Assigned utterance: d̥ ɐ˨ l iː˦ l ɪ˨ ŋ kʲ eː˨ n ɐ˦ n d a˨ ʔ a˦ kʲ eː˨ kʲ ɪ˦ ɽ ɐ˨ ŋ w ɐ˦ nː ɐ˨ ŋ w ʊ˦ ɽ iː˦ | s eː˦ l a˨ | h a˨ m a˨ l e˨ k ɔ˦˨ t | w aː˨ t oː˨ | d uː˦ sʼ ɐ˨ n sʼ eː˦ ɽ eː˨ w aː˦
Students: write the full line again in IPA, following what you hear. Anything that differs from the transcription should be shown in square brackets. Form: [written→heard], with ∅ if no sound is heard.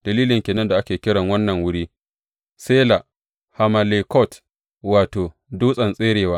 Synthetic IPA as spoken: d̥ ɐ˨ l iː˦ l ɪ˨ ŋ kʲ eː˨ n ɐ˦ n d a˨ ʔ a˦ kʲ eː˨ kʲ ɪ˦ ɽ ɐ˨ ŋ w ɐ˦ nː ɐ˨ ŋ w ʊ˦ ɽ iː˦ | s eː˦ l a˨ | h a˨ m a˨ l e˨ k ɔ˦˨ t | w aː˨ t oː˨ | d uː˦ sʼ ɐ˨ n sʼ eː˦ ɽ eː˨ w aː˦

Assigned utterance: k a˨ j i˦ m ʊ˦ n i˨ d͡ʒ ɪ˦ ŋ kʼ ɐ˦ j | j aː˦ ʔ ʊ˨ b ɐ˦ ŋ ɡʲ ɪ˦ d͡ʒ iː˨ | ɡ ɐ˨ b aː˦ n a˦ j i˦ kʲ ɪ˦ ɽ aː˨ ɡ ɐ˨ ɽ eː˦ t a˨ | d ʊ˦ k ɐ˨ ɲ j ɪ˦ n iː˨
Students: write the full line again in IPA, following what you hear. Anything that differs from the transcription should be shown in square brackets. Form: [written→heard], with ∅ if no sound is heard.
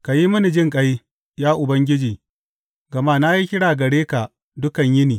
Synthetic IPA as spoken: k a˨ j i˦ m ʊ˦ n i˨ d͡ʒ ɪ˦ ŋ kʼ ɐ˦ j | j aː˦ ʔ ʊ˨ b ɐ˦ ŋ ɡʲ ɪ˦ d͡ʒ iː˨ | ɡ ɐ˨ [b→m] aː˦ n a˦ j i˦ kʲ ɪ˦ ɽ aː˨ ɡ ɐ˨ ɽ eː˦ [t→k] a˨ | d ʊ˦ k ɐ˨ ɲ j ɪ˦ n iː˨

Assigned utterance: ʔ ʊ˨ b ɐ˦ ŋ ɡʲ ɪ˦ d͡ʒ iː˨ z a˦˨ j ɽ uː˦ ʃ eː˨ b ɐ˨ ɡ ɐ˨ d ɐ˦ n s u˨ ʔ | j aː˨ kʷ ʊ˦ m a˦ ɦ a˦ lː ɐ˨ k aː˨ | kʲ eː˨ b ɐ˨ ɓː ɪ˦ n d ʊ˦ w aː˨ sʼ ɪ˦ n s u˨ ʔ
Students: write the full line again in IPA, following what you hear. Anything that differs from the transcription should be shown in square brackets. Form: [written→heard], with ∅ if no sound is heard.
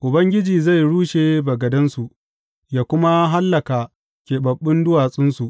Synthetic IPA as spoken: ʔ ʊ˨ b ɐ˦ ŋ ɡʲ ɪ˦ d͡ʒ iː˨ z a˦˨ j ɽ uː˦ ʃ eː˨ b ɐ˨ ɡ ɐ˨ d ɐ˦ n s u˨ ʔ | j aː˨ kʷ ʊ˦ m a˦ ɦ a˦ lː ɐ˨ k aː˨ | kʲ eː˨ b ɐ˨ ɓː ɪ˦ n d ʊ˦ w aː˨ sʼ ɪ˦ n s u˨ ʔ

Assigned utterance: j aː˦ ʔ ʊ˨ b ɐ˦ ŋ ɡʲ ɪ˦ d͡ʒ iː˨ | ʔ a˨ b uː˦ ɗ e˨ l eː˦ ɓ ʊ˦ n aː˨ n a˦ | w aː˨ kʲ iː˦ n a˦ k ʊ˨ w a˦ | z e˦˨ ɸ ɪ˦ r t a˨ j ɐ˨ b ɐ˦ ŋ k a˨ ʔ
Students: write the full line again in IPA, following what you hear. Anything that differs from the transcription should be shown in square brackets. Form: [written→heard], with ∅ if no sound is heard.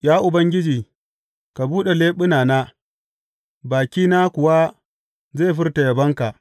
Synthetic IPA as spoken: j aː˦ ʔ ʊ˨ b ɐ˦ ŋ ɡʲ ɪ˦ d͡ʒ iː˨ | [ʔ→k] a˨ b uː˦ ɗ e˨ l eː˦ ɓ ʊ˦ n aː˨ n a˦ | [w→b] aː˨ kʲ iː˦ n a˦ k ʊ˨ w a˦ | z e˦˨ ɸ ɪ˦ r t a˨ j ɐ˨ b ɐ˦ ŋ k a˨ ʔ

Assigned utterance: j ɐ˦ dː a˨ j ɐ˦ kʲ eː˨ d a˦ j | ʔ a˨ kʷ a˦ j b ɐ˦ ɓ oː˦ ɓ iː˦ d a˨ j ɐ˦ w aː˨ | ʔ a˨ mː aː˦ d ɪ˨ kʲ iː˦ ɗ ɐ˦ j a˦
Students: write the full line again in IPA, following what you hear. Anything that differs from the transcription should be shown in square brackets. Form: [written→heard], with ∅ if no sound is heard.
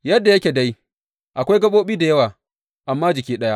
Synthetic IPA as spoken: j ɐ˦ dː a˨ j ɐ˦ kʲ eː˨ d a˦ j | ʔ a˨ kʷ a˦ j [b→ɡ] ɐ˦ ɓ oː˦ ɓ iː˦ d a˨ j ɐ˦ w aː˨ | ʔ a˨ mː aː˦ [d→d͡ʒ] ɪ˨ kʲ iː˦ ɗ ɐ˦ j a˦

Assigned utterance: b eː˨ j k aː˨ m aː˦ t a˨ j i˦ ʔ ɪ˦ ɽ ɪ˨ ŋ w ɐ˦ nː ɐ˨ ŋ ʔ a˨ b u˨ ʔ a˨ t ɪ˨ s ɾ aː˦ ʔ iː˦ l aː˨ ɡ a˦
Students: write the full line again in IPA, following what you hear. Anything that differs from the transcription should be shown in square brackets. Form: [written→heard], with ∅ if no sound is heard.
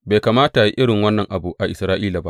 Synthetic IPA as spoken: b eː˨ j k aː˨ m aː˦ t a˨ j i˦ ʔ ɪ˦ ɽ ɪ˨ ŋ w ɐ˦ nː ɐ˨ ŋ ʔ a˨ b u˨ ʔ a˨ [t→ʔ] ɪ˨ s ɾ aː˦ ʔ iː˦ l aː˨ [ɡ→b] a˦

